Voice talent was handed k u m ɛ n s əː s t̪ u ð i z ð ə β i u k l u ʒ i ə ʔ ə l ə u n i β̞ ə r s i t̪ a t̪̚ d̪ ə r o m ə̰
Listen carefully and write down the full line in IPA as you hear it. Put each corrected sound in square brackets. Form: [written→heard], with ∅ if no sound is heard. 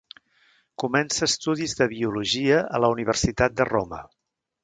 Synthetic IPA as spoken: k u m ɛ n s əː s t̪ u ð i z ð ə β i u [k→∅] l u ʒ i ə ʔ ə l ə u n i β̞ ə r s i t̪ a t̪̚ d̪ ə r o m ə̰